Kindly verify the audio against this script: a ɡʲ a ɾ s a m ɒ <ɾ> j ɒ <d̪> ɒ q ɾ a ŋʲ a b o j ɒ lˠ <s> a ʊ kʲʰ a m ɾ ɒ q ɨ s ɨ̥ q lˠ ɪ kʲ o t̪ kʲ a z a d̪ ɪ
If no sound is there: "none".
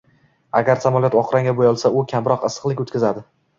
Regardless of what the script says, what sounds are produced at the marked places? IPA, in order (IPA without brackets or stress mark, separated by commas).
l, t̪, s